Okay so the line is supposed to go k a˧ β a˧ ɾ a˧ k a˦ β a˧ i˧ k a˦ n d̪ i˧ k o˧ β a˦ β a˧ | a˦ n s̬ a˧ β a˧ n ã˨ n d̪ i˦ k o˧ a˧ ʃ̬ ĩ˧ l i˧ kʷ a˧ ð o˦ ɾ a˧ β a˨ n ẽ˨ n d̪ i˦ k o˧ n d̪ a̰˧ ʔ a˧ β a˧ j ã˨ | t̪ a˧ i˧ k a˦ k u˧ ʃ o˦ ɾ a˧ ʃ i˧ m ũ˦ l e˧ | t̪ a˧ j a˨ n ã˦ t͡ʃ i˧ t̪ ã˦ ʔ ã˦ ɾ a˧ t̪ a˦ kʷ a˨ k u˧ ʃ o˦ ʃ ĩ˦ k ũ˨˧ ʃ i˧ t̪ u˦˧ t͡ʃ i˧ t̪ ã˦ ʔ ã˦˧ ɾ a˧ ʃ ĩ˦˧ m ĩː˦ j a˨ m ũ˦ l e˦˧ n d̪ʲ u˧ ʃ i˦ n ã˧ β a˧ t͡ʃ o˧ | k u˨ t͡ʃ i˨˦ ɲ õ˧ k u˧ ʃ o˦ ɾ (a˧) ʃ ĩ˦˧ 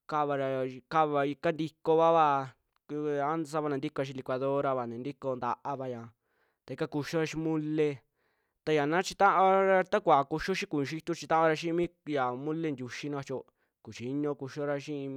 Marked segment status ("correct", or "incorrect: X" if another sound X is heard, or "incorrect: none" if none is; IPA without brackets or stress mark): correct